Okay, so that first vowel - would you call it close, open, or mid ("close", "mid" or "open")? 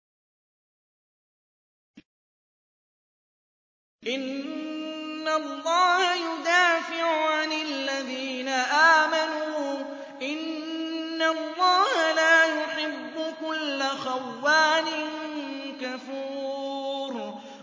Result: close